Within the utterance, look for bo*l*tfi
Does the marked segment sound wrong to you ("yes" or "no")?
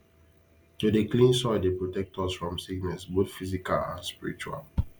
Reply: yes